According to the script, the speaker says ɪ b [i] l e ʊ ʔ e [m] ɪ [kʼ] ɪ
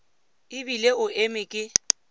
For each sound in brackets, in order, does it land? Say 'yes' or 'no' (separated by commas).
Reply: yes, yes, yes